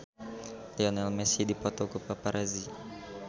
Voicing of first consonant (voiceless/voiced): voiced